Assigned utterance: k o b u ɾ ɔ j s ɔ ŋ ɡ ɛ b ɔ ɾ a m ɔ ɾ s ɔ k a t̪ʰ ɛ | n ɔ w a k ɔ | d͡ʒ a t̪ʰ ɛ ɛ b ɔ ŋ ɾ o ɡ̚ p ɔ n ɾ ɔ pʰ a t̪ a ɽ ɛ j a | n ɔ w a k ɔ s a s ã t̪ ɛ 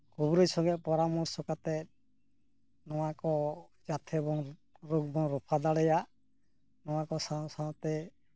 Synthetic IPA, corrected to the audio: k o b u ɾ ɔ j s ɔ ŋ ɡ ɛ p ɔ ɾ a m ɔ ɾ s ɔ k a t̪ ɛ | n ɔ w a k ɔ | d͡ʒ a t̪ʰ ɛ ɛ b ɔ ŋ ɾ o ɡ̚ b ɔ ŋ ɾ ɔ pʰ a d̪ a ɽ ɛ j a | n ɔ w a k ɔ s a s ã t̪ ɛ